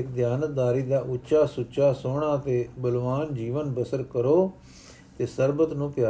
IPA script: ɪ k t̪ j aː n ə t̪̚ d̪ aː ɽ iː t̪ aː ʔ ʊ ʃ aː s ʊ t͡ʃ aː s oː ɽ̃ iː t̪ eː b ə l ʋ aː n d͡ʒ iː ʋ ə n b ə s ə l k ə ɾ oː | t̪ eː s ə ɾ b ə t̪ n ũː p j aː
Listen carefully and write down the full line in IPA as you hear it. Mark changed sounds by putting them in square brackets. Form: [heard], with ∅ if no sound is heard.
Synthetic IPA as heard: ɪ k [d̪] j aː n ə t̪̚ d̪ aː [ɾ] iː [d̪] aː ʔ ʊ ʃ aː s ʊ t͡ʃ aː s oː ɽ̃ [aː] t̪ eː b ə l ʋ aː n d͡ʒ iː ʋ ə n b ə s ə [ɾ] k ə ɾ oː | t̪ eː s ə ɾ b ə t̪ n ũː p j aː